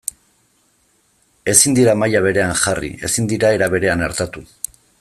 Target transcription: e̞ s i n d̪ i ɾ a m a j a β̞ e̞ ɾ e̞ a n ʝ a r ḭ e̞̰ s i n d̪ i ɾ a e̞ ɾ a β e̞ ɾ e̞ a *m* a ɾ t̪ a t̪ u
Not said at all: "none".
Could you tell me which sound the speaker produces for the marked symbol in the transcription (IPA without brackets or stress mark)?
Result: n